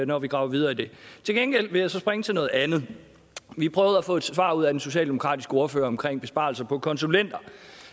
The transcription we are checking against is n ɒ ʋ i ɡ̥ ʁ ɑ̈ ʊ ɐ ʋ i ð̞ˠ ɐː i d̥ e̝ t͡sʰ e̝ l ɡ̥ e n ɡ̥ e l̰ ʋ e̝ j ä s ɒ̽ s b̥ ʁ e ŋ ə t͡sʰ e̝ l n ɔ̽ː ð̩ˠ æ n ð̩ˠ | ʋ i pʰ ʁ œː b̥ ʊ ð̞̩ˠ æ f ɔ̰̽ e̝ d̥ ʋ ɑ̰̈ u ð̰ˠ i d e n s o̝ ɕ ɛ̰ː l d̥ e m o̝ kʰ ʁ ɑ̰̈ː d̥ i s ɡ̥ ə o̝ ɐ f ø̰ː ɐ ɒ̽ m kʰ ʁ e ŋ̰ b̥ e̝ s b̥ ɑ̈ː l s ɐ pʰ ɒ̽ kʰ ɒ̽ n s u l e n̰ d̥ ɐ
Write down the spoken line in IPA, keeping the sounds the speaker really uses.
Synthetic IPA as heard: n ɒ ʋ i ɡ̥ ʁ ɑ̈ ʊ ɐ ʋ i ð̞ˠ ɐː i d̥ e̝ t͡sʰ e̝ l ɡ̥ e n ɡ̥ e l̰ ʋ e̝ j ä s ɒ̽ s b̥ ʁ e ŋ ə t͡sʰ e̝ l n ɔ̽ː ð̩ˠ æ n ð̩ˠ | ʋ i pʰ ʁ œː ʊ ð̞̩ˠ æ f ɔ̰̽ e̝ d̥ ʋ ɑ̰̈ u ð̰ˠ æ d e n s o̝ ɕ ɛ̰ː l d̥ e m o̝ kʰ ʁ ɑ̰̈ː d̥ i s ɡ̥ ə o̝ ɐ f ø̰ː ɐ ɒ̽ m kʰ ʁ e ŋ̰ b̥ e̝ s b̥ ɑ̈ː l s ɐ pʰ ɒ̽ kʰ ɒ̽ n s u l e n̰ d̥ ɐ